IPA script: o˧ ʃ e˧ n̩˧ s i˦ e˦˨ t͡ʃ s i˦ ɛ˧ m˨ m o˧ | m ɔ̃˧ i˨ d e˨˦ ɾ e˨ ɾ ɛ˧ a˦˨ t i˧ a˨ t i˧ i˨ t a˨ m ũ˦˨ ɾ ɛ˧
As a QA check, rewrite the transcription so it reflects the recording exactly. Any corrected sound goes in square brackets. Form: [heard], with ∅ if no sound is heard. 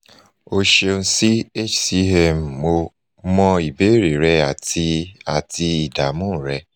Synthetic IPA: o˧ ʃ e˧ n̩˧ s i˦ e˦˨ t͡ʃ s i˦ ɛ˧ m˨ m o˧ | m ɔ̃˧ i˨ [b] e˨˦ ɾ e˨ ɾ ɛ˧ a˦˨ t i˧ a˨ t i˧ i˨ [d] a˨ m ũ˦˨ ɾ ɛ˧